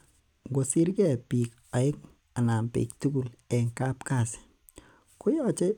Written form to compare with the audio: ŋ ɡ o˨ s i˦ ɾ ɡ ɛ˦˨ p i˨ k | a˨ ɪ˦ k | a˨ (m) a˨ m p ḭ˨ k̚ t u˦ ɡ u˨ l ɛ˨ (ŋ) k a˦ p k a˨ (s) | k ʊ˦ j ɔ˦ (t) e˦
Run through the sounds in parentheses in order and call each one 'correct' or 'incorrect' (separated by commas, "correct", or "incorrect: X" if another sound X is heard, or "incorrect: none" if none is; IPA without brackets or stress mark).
incorrect: n, correct, correct, incorrect: t͡ʃ